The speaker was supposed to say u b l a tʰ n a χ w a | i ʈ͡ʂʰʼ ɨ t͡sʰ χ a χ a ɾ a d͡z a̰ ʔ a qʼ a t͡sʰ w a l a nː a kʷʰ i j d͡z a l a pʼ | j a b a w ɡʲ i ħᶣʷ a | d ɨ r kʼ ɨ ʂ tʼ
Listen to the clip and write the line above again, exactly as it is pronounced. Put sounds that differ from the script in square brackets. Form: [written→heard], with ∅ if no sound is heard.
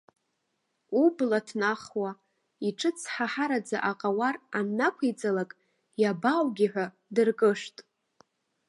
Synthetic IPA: u b l a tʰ n a χ w a | i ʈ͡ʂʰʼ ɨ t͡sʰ [χ→ħ] a [χ→ħ] a ɾ a d͡z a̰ ʔ a qʼ a [t͡sʰ→∅] w a [l→r] a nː a kʷʰ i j d͡z a l a [pʼ→kʼ] | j a b a w ɡʲ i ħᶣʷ a | d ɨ r kʼ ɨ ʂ tʼ